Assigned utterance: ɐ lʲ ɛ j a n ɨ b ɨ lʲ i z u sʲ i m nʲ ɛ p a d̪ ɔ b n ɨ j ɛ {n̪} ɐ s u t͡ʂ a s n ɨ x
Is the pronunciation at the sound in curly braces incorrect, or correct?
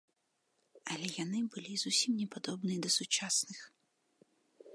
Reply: incorrect